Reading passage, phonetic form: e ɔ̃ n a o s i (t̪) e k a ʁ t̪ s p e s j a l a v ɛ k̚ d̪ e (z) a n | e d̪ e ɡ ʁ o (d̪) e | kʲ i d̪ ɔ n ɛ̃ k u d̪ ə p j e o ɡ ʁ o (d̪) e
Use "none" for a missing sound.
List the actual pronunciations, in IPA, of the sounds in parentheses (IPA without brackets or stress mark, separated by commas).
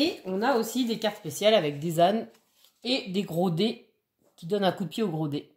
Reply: d̪, z, d̪, d̪